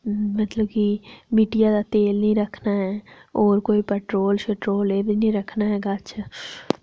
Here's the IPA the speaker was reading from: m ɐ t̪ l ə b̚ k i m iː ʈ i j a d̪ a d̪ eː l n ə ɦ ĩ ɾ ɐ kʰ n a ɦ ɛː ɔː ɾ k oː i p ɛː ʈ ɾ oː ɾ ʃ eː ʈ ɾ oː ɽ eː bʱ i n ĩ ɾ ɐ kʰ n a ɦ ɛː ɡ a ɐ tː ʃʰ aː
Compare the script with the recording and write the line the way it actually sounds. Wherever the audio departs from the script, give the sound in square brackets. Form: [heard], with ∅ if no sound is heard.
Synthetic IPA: m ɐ t̪ l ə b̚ k i m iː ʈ i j a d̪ a [t̪] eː l n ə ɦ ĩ ɾ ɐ kʰ n a ɦ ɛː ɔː ɾ k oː i p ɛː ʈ ɾ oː [l] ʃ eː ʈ ɾ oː [l] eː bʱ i n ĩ ɾ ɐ kʰ n a ɦ ɛː ɡ a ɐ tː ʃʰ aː